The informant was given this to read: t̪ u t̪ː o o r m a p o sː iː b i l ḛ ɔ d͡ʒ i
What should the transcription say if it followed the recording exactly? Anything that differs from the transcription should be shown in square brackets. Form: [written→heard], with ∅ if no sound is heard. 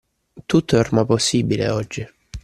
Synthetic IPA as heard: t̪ u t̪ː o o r m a p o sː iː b i l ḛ ɔ [d͡ʒ→d͡ʒː] i

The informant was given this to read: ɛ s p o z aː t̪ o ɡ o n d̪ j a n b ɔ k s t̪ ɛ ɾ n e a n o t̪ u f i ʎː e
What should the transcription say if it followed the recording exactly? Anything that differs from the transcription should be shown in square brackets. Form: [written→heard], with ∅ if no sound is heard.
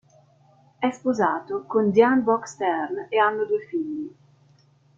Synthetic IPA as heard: ɛ s p o z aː t̪ o [ɡ→k] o n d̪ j a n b ɔ k s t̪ ɛ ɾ n e a [n→nː] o [t̪→d̪] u f i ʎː [e→i]

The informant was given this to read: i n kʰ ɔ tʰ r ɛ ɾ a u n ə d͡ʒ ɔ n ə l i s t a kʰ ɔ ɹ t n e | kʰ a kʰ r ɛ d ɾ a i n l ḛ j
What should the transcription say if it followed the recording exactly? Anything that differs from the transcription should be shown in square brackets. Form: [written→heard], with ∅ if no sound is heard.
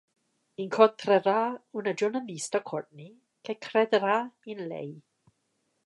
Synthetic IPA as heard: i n kʰ ɔ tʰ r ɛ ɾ a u n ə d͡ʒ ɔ n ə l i s t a kʰ ɔ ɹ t n [e→i] | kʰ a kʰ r ɛ d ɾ a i n l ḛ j

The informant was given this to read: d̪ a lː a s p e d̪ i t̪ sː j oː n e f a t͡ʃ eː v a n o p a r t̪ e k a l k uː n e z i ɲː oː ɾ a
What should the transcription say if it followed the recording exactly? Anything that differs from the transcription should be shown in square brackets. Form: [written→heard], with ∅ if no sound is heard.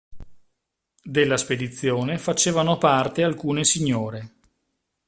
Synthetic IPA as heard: d̪ [a→e] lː a s p e d̪ i t̪ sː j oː n e f a t͡ʃ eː v a n o p a r t̪ e [k→∅] a l k uː n e [z→s] i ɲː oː ɾ [a→e]

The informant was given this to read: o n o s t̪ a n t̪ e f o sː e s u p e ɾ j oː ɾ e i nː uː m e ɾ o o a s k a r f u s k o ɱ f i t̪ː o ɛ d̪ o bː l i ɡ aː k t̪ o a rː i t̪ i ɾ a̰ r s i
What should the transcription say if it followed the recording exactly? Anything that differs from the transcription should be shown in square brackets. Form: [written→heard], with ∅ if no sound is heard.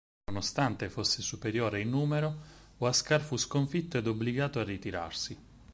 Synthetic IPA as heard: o n o s t̪ a n t̪ e f o sː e s u p e ɾ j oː ɾ e i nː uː m e ɾ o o a s k a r f u s k o ɱ f i t̪ː o ɛ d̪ o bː l i ɡ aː [k→∅] t̪ o a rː i t̪ i ɾ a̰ r s i

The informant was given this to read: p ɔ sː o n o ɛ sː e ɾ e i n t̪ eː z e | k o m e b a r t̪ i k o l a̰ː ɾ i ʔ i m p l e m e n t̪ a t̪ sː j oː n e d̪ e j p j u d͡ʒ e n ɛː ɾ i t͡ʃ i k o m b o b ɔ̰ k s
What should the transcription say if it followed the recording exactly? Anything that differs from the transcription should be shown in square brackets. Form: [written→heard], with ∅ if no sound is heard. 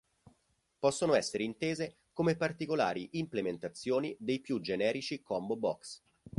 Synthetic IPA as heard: p ɔ sː o n o ɛ sː e ɾ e i n t̪ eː z e | k o m e [b→p] a r t̪ i k o l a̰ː ɾ i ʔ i m p l e m e n t̪ a t̪ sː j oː n [e→i] d̪ e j p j u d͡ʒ e n ɛː ɾ i t͡ʃ i k [o→ɔ] m b o b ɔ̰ k s

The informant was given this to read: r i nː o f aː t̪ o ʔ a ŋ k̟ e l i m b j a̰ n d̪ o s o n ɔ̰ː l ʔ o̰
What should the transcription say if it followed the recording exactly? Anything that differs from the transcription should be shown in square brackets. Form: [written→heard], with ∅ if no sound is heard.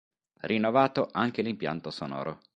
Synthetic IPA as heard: r i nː o [f→v] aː t̪ o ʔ a ŋ k̟ e l i m [b→p] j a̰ n [d̪→t̪] o s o n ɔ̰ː [l→ɾ] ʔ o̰

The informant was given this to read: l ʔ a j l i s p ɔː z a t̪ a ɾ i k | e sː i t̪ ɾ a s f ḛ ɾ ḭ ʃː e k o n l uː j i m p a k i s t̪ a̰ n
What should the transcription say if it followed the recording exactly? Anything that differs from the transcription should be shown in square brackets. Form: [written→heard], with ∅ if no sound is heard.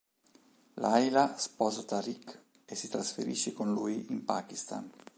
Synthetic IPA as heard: l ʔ a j l [i→a] s p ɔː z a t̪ a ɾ i k | e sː i t̪ ɾ a s f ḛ ɾ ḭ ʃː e k o n l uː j i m p a k i s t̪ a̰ n

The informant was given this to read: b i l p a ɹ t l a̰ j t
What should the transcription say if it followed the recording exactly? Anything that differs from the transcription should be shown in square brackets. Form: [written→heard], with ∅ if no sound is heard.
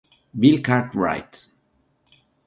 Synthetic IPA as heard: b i l [p→k] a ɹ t [l→ɹ] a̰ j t

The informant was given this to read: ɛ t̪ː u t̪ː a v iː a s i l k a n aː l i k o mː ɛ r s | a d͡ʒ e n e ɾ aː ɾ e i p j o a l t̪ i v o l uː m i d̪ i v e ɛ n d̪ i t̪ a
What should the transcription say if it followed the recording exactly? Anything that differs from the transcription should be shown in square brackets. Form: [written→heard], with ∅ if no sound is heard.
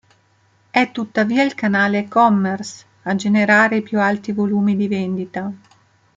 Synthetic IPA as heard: ɛ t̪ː u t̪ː a v iː a [s→∅] i l k a n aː l [i→e] k [o→ɔ] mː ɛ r s | a d͡ʒ e n e ɾ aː ɾ e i p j [o→u] a l t̪ i v o l uː m i d̪ i v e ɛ n d̪ i t̪ a

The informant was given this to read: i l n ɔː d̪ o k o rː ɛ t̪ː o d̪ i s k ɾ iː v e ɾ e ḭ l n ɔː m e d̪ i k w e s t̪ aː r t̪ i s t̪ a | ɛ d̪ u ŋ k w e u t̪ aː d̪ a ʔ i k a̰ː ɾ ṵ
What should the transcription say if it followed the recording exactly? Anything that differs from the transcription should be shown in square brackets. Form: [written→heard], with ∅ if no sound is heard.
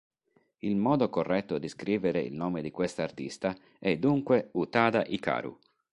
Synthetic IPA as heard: i l [n→m] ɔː d̪ o k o rː ɛ t̪ː o d̪ i s k ɾ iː v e ɾ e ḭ l n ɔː m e d̪ i k w e s t̪ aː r t̪ i s t̪ a | ɛ d̪ u ŋ k w e u t̪ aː d̪ a ʔ i k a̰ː ɾ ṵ

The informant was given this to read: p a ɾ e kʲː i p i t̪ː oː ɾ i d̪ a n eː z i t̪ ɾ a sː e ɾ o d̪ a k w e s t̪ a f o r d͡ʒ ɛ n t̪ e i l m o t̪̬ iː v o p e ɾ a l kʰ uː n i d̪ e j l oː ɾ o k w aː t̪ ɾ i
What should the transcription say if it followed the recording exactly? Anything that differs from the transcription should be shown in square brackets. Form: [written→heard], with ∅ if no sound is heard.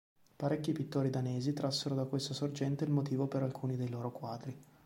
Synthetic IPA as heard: p a ɾ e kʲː i p i t̪ː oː ɾ i d̪ a n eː z i t̪ ɾ a sː e ɾ o d̪ a k w e s t̪ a [f→s] o r d͡ʒ ɛ n t̪ e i l m o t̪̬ iː v o p e ɾ a l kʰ uː n i d̪ e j l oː ɾ o k w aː [t̪→d̪] ɾ i

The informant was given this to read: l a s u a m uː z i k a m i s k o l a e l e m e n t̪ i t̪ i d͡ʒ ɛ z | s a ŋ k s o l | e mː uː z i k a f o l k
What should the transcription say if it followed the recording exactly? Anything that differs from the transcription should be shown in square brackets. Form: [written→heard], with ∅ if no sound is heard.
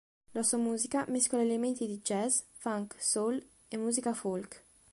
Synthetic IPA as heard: l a s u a m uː z i k a m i s k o l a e l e m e n t̪ i [t̪→d̪] i d͡ʒ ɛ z | [s→f] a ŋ k s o l | e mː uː z i k a f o l k

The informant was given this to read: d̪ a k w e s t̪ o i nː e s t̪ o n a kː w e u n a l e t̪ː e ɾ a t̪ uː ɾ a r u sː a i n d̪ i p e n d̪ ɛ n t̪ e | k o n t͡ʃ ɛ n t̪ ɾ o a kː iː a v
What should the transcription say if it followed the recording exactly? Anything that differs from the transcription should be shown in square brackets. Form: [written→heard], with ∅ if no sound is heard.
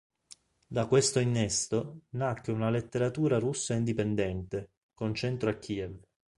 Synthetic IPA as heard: d̪ a k w e s t̪ o i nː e s t̪ o n a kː w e u n a l e t̪ː e ɾ a t̪ uː ɾ a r u sː a i n d̪ i p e n d̪ ɛ n t̪ e | k o n t͡ʃ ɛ n t̪ ɾ o a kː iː [a→ɛ] v

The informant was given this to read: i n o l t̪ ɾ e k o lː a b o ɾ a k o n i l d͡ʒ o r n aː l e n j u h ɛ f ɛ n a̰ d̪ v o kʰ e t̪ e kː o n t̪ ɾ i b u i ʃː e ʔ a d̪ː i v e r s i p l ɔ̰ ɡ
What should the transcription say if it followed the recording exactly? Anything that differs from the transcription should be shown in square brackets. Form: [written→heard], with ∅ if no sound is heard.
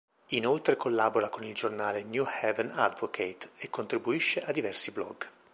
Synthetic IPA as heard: i n o l t̪ ɾ e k o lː a b o ɾ a k o n i l d͡ʒ o r n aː l e n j u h ɛ [f→v] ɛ n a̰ d̪ v o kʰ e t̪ e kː o n t̪ ɾ i b u i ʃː e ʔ a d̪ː i v [e→ɛ] r s i [p→b] l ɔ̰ ɡ

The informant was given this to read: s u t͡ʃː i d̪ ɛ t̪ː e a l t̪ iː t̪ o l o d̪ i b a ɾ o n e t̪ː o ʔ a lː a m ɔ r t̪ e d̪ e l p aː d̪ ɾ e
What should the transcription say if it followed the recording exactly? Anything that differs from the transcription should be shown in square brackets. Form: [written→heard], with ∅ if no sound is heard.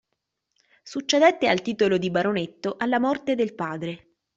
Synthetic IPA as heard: s u t͡ʃː [i→e] d̪ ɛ t̪ː e a l t̪ iː t̪ o l o d̪ i b a ɾ o n e t̪ː o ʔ a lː a m ɔ r t̪ e d̪ e l p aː d̪ ɾ e

